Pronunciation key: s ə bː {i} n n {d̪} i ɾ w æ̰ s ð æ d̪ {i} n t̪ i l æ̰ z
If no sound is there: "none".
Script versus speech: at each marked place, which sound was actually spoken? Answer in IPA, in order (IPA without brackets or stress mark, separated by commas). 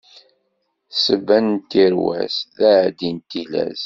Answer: æ, t̪, i